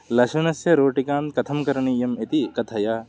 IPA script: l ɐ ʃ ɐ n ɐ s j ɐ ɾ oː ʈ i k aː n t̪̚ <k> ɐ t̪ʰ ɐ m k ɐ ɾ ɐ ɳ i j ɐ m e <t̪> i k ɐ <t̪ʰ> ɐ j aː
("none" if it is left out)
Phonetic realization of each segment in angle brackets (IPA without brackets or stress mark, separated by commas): k, t̪, t̪ʰ